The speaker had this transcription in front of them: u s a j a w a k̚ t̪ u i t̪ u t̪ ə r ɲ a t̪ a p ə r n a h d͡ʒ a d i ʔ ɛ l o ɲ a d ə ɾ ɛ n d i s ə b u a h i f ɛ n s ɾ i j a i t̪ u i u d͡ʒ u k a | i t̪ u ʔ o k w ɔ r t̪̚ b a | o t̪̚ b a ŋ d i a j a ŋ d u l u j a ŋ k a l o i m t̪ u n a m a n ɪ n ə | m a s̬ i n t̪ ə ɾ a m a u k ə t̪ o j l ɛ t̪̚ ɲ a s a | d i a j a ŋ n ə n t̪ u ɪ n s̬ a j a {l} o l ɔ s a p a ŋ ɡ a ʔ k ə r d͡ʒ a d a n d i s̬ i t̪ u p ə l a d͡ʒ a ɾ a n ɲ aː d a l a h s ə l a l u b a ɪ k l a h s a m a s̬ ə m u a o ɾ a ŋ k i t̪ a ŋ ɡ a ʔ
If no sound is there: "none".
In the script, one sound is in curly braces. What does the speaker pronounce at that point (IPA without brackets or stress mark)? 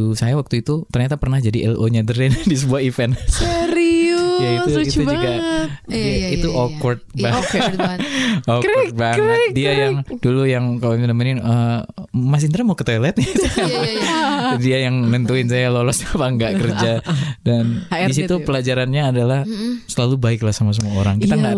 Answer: l